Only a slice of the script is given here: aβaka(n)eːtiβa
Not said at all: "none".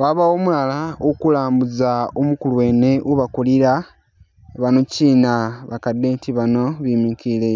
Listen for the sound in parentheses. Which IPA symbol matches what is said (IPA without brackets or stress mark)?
d